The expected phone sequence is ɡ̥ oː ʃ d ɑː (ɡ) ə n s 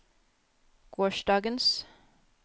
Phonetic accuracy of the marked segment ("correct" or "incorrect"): correct